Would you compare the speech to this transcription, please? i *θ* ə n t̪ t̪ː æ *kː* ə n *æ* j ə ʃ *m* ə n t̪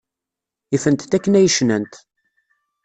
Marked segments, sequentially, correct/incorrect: incorrect, correct, correct, incorrect

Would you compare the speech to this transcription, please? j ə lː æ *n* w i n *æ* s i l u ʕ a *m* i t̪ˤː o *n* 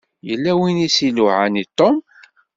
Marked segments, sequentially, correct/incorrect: incorrect, incorrect, incorrect, incorrect

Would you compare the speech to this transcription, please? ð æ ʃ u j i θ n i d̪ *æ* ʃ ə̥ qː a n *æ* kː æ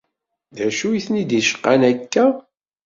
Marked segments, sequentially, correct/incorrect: incorrect, correct

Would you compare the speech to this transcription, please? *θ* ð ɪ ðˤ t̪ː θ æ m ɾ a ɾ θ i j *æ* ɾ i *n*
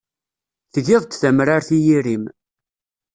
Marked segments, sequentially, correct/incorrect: correct, incorrect, incorrect

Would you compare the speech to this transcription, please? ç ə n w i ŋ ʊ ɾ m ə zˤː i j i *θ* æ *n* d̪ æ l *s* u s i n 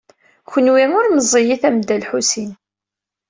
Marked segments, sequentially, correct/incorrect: correct, incorrect, incorrect

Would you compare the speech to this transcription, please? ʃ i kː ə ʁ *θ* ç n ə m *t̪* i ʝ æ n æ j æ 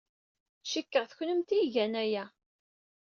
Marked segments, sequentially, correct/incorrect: correct, correct

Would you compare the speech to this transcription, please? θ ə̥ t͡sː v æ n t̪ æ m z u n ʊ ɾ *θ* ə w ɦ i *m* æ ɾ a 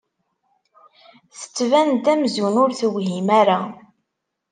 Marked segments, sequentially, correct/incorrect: correct, correct

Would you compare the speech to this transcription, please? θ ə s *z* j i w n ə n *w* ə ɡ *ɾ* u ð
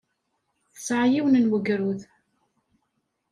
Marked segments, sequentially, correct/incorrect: incorrect, correct, correct

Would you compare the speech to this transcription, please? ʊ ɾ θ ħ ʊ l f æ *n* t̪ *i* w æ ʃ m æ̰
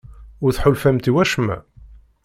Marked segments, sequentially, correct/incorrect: incorrect, correct

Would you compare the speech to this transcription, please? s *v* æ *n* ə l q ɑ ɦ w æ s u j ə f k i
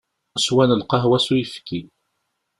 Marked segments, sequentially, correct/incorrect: incorrect, correct

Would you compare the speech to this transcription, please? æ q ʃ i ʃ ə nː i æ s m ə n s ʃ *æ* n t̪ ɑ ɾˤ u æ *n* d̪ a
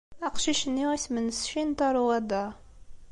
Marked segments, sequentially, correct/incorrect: incorrect, incorrect

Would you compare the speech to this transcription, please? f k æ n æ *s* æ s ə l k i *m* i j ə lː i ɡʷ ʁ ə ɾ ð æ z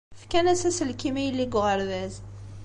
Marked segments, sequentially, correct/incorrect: correct, correct

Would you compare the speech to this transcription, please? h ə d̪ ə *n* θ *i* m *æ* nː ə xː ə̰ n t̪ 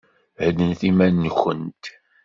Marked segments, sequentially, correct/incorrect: correct, correct, correct

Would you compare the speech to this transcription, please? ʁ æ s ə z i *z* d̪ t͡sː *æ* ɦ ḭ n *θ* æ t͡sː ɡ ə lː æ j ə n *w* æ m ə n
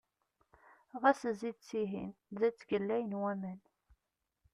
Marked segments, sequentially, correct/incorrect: incorrect, incorrect, incorrect, correct

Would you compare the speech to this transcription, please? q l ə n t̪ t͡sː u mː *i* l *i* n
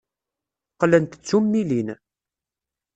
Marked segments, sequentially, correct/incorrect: correct, correct

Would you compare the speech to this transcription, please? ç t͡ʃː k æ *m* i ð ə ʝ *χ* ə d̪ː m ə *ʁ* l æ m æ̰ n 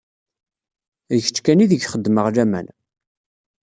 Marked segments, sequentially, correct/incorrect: incorrect, correct, correct

